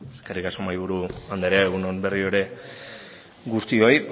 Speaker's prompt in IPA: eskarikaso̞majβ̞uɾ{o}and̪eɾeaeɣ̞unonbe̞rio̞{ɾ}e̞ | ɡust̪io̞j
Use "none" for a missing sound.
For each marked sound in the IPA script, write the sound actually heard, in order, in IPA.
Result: u, ɾ

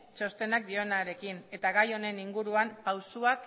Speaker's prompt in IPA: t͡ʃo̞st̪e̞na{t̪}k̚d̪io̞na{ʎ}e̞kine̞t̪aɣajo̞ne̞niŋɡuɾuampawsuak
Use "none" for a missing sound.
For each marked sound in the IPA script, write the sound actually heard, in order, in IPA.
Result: none, ɾ

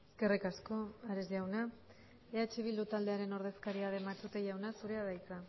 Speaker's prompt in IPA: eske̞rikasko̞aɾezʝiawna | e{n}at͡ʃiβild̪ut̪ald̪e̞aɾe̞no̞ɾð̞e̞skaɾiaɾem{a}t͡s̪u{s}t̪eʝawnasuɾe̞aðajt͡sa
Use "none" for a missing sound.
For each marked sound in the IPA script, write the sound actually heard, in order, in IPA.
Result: none, a, none

